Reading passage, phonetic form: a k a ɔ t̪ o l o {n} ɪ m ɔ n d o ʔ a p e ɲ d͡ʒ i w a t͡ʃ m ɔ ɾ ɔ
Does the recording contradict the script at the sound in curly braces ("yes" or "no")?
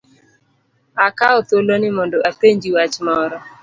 no